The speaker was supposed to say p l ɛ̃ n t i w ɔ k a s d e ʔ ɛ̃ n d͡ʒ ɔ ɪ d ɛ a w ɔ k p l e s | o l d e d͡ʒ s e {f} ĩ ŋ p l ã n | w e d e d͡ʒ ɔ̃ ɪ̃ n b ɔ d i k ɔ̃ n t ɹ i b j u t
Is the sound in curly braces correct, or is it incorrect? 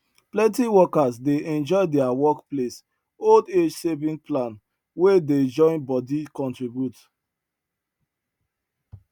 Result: incorrect